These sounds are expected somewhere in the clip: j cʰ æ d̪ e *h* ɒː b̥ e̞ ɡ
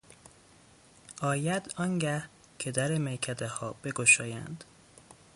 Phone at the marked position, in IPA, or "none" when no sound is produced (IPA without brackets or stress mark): h